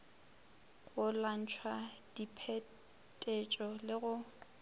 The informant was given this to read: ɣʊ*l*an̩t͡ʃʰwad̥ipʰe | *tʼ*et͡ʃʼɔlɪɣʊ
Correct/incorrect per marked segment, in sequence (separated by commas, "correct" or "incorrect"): correct, correct